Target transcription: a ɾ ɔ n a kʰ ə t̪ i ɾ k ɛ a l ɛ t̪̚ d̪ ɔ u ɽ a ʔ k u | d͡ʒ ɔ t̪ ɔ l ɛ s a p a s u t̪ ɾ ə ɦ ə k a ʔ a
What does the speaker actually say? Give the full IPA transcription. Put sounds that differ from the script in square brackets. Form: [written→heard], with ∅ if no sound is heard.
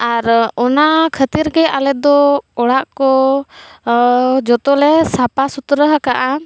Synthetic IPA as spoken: a ɾ ɔ n a kʰ ə t̪ i ɾ k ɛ a l ɛ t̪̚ d̪ ɔ [u→ɔ] ɽ a ʔ k [u→ɔ] | d͡ʒ ɔ t̪ ɔ l ɛ s a p a s u t̪ ɾ ə ɦ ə k a ʔ a